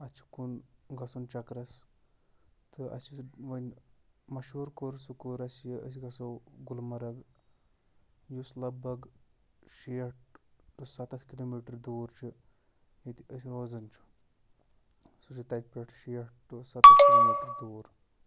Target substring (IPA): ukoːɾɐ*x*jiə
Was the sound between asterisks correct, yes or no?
no